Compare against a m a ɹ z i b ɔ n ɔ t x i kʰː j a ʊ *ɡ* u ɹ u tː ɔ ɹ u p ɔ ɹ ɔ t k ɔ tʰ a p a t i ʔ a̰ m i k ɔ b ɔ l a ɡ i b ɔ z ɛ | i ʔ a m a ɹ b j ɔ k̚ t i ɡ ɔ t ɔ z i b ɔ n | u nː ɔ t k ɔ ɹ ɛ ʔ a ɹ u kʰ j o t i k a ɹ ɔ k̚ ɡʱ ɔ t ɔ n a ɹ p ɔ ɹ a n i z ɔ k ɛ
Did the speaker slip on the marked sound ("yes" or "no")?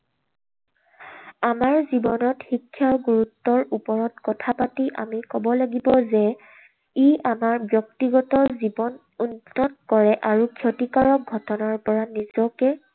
no